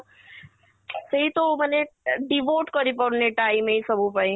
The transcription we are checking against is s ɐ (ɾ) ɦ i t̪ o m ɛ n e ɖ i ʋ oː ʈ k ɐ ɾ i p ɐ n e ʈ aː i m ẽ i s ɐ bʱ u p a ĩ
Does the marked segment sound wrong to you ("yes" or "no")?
yes